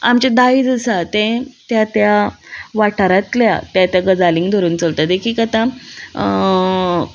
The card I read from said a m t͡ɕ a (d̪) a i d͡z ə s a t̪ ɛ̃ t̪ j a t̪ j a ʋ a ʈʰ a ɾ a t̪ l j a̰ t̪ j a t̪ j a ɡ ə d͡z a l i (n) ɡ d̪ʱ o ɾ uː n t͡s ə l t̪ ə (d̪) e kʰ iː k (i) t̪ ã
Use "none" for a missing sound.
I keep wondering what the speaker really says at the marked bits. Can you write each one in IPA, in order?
d̪, ŋ, d̪, a

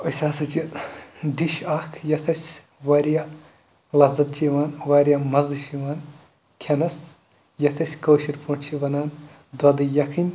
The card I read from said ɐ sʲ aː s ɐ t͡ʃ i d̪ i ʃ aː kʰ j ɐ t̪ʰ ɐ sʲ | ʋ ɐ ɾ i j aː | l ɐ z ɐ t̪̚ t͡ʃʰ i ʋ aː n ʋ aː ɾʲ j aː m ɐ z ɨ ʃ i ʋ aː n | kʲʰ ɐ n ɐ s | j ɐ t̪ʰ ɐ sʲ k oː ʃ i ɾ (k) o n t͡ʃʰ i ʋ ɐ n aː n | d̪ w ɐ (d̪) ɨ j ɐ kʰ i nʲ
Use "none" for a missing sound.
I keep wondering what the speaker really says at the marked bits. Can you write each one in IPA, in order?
p, d̪

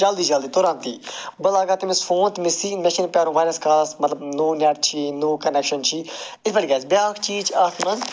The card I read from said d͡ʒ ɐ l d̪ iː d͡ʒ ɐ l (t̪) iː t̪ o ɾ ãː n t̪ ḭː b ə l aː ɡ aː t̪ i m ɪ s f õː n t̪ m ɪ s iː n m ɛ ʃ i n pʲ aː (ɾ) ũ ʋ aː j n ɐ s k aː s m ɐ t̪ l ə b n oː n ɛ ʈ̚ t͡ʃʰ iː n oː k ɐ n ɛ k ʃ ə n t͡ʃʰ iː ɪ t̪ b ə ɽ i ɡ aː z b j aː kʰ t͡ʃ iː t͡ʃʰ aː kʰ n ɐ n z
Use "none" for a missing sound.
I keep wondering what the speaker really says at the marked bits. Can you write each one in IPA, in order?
d̪, ɾ

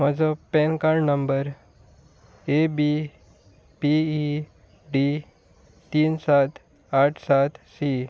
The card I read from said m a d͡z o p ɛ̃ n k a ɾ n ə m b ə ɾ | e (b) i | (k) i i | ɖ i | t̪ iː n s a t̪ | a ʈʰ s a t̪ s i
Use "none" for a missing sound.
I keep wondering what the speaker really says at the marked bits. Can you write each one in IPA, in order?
b, p

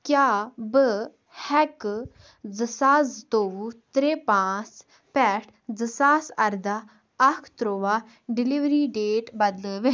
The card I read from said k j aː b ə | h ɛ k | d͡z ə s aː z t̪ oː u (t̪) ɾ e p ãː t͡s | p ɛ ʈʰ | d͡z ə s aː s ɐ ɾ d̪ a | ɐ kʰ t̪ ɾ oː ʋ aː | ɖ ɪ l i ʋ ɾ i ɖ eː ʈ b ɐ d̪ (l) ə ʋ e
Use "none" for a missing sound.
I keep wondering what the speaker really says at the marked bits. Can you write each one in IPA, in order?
t̪, l

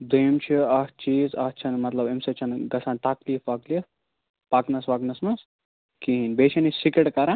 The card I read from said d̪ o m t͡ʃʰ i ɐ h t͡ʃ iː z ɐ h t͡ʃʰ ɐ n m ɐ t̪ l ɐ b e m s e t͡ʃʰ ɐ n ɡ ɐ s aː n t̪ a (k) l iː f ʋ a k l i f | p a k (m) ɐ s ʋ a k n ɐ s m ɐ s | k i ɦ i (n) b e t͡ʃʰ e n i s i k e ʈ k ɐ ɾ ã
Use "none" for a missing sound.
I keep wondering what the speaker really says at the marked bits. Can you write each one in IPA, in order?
k, n, n

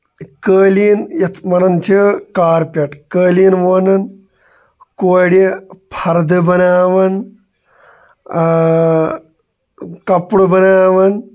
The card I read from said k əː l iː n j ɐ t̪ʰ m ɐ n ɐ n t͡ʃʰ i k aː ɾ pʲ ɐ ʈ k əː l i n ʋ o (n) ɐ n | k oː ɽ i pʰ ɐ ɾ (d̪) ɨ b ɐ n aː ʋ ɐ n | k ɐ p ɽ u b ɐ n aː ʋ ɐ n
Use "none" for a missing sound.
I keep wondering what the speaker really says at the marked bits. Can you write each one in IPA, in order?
n, d̪

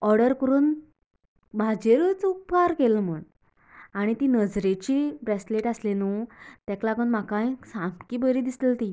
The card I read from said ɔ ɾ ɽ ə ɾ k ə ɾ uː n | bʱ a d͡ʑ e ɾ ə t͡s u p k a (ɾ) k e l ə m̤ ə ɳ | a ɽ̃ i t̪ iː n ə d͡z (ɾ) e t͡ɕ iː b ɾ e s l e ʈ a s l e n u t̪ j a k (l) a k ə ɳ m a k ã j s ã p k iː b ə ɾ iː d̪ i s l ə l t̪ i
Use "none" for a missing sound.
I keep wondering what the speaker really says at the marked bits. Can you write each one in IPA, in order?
ɾ, ɾ, l

